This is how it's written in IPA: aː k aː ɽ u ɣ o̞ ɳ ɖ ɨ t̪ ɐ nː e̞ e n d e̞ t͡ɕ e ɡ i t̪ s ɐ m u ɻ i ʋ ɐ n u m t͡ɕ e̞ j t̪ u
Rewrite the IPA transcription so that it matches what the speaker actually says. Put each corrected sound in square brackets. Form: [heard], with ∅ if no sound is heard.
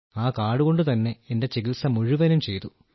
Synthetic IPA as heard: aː k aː ɽ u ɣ o̞ ɳ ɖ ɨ t̪ ɐ nː e̞ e n d e̞ t͡ɕ e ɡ i t̪ s ɐ m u ɻ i ʋ ɐ n u m t͡ɕ e̞ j t̪ u